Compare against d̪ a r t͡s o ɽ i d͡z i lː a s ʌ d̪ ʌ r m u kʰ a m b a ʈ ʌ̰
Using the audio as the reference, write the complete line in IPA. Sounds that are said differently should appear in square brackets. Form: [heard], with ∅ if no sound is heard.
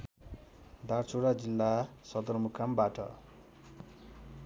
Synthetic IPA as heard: d̪ a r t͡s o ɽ [a] d͡z i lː a s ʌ d̪ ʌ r m u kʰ a m b a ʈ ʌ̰